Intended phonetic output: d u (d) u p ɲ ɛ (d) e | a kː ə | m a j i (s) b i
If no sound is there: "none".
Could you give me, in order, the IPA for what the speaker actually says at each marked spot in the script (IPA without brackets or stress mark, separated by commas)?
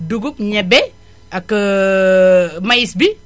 ɡ, b, s